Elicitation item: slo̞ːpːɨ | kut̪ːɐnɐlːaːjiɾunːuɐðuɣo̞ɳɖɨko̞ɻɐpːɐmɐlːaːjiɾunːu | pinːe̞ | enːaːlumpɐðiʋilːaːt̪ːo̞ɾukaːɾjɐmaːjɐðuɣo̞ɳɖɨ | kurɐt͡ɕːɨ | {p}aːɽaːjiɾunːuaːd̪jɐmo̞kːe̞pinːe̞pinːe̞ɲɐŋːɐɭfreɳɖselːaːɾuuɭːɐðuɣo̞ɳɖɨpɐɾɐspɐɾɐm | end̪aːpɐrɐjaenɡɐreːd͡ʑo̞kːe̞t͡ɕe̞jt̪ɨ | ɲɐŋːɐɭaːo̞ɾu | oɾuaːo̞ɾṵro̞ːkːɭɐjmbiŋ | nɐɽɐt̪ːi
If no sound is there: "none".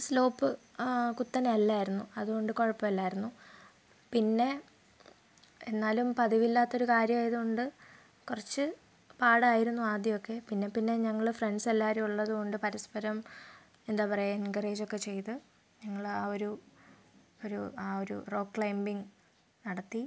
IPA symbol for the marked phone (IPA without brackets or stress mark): p